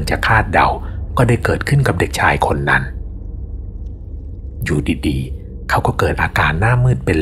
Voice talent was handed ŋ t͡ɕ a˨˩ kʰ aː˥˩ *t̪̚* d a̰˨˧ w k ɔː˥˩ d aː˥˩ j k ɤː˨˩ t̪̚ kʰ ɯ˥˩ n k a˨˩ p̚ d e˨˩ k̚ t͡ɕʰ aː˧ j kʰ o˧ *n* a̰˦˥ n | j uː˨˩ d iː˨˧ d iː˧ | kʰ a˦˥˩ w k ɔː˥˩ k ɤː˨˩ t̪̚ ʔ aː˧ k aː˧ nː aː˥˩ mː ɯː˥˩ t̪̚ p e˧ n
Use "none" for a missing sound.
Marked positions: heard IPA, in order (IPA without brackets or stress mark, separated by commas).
t̪̚, nː